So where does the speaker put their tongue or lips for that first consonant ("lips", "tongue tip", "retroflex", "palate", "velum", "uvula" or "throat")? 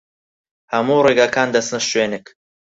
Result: throat